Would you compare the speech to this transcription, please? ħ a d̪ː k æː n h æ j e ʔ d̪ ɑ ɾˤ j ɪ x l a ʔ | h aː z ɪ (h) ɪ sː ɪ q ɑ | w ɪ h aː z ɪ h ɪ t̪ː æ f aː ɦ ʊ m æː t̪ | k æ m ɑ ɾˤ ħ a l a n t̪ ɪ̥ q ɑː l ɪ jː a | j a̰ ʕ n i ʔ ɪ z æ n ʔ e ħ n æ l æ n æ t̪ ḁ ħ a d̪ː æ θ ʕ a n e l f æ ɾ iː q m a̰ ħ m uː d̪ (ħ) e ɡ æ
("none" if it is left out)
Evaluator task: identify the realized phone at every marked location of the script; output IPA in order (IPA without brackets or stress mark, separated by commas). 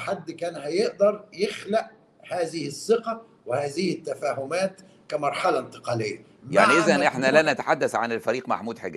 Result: h, ħ